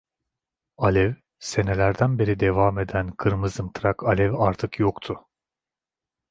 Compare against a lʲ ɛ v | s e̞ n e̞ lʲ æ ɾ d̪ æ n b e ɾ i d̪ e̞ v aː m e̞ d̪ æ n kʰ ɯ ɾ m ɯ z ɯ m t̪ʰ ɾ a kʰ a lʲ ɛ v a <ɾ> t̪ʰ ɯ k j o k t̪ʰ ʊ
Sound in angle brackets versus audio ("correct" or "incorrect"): correct